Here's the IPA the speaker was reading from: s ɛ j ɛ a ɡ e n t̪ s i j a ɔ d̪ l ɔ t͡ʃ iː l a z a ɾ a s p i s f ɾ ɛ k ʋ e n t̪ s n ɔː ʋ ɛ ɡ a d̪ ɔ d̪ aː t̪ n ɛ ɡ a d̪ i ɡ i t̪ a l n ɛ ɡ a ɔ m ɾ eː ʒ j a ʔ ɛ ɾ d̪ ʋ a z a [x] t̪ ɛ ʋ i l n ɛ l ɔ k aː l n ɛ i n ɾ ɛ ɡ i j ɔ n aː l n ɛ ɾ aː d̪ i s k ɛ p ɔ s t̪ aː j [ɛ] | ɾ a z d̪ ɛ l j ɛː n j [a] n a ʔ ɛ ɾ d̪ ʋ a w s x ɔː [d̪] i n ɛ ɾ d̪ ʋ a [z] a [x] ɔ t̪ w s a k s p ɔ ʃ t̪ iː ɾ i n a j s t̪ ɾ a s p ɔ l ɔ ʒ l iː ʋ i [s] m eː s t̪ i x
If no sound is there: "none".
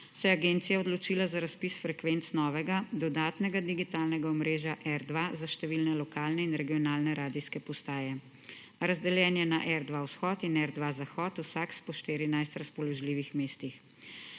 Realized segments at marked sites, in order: ʃ, ɛ, ɛ, t̪, z, x, x

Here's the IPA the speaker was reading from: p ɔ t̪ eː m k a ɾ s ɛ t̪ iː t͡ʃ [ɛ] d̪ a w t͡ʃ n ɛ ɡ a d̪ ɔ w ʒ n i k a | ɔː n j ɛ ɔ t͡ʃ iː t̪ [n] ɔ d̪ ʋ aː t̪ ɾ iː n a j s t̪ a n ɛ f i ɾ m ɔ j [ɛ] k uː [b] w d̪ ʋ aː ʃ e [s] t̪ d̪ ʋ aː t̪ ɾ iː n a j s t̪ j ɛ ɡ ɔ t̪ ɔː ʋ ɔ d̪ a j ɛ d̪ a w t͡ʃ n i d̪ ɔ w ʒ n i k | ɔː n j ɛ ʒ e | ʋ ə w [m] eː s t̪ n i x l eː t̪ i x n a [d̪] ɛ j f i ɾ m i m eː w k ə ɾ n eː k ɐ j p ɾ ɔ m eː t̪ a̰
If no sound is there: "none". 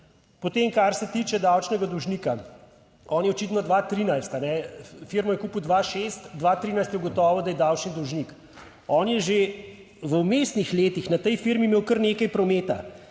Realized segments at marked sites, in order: ɛ, n, ɛ, p, s, m, t̪

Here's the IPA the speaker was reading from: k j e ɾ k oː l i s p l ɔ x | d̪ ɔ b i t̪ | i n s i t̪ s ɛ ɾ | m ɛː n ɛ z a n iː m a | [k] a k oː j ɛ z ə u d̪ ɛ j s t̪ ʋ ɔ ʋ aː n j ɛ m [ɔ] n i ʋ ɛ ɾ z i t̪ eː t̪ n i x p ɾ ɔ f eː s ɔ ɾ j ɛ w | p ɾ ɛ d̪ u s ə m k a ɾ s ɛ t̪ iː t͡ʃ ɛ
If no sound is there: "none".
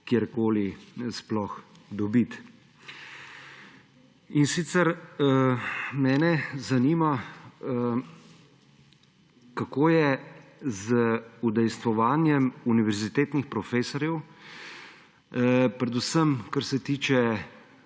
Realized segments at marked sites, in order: k, u

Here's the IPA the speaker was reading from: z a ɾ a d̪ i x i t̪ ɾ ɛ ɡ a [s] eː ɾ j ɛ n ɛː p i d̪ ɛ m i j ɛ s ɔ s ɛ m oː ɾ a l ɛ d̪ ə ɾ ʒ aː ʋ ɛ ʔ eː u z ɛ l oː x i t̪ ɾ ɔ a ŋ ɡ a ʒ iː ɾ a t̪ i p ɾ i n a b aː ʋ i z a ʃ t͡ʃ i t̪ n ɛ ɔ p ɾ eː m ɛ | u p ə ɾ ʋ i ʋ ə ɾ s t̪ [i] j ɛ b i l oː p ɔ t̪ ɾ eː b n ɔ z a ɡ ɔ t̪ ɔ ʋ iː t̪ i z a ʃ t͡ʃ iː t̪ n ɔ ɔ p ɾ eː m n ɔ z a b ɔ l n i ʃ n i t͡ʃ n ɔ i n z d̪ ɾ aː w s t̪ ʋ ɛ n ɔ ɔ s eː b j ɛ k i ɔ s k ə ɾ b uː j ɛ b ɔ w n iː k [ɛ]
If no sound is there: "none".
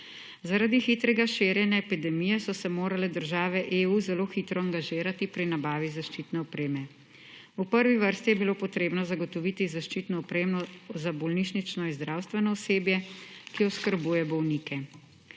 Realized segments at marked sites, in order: ʃ, i, ɛ

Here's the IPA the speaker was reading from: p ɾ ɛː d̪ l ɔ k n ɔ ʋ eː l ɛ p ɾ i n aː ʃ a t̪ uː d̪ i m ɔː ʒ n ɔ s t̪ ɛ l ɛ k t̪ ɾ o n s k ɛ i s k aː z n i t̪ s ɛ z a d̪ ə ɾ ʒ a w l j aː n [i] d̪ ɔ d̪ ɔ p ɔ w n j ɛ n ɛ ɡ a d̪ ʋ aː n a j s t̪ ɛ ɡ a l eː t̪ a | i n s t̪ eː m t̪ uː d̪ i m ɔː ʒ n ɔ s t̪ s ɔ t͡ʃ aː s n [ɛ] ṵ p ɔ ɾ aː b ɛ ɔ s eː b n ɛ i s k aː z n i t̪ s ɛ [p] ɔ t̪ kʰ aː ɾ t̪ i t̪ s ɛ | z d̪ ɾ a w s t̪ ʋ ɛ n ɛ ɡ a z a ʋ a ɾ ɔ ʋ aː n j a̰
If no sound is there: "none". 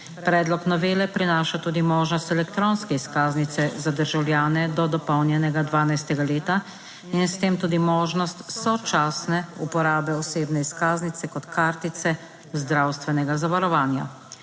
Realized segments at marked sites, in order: ɛ, ɛ, k

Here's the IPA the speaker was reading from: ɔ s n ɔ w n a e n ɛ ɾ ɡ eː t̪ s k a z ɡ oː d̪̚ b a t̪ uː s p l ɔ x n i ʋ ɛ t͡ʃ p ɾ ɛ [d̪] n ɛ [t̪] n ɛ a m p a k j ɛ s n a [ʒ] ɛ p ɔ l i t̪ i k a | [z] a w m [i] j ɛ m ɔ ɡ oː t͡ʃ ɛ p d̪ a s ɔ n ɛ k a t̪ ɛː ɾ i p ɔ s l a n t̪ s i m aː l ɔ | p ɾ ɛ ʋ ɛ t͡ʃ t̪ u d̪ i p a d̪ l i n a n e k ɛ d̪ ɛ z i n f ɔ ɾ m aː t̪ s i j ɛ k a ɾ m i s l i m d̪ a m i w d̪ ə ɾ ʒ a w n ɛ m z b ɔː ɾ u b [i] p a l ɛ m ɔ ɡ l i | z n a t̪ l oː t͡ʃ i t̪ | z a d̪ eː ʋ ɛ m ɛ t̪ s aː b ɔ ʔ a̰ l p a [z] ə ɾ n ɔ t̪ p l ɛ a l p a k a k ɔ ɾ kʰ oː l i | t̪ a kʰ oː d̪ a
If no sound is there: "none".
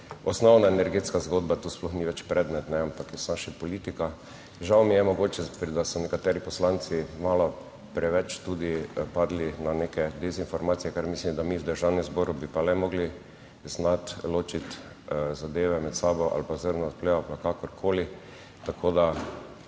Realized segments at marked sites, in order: d̪, t̪, ʃ, ʒ, i, i, z

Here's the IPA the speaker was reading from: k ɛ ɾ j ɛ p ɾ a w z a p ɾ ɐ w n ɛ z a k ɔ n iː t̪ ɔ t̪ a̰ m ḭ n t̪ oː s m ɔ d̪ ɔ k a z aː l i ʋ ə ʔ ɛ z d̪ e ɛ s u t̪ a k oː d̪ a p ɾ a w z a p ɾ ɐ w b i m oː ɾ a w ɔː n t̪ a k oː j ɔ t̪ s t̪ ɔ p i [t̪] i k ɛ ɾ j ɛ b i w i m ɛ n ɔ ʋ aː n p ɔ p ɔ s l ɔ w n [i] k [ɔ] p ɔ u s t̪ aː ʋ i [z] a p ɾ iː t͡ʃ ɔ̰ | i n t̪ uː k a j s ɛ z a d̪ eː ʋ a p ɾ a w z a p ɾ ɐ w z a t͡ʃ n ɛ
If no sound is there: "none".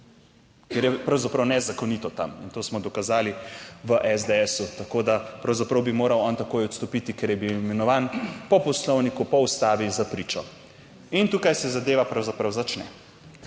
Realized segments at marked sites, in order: t̪, i, u, z

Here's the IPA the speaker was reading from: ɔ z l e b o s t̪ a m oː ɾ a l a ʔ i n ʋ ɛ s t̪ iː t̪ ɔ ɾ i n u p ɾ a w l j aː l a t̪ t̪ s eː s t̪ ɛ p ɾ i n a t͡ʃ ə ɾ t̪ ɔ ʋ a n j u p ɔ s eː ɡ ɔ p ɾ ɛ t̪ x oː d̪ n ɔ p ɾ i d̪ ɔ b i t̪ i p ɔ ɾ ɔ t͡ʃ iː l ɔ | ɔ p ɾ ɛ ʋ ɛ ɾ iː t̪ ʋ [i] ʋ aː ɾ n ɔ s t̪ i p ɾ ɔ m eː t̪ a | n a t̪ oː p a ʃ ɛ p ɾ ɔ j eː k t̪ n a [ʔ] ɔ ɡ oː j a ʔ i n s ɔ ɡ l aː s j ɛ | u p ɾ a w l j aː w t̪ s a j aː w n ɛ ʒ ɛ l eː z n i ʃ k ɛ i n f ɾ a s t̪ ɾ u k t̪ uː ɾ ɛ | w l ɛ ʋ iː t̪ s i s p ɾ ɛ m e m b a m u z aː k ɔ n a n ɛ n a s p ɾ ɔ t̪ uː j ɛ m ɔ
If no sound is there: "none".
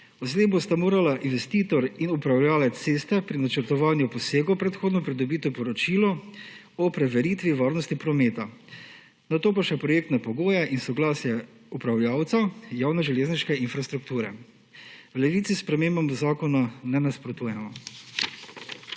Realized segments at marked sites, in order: i, p

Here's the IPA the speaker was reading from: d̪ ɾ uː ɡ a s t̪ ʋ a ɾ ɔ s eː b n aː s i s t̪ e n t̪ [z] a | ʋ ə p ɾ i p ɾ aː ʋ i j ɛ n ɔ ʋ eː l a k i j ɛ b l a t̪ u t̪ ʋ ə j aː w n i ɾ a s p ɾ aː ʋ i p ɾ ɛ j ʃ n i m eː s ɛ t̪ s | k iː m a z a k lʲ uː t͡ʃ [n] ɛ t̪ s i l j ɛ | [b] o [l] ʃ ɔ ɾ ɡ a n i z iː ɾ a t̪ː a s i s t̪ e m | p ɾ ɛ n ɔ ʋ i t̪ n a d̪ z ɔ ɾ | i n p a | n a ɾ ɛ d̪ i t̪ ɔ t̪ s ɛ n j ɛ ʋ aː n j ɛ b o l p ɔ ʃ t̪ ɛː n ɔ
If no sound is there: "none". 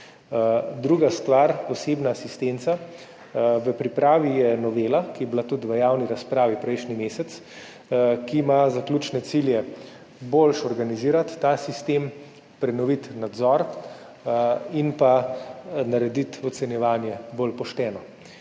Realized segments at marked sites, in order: s, n, b, l

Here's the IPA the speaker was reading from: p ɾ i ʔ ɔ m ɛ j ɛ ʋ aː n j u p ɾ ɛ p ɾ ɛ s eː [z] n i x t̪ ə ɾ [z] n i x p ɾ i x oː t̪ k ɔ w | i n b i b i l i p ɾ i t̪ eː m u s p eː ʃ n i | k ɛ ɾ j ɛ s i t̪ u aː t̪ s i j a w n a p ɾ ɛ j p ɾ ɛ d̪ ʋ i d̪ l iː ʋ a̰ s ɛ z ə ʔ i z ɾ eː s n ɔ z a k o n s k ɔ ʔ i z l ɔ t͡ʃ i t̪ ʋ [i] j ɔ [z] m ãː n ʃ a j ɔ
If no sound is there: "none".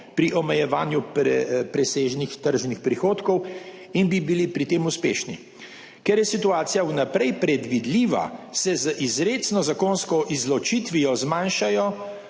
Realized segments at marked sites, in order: ʒ, ʒ, i, z

